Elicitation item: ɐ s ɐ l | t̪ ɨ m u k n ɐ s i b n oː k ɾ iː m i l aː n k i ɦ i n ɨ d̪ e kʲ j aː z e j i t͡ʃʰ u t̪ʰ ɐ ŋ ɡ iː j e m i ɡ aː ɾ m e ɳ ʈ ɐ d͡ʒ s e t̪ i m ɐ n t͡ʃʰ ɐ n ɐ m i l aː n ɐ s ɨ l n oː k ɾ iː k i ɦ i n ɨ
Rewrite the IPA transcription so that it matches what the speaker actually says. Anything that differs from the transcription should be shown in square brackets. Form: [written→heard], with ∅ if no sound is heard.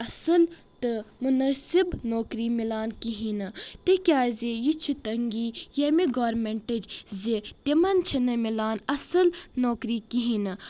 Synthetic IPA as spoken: ɐ s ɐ l | t̪ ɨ m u [k→∅] n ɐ s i b n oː k ɾ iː m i l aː n k i ɦ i n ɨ [d̪→t̪] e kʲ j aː z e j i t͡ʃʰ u [t̪ʰ→t̪] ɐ ŋ ɡ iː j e m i ɡ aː ɾ m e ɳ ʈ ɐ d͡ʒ [s→z] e t̪ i m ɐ n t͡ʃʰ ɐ n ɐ m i l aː n ɐ s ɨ l n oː k ɾ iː k i ɦ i n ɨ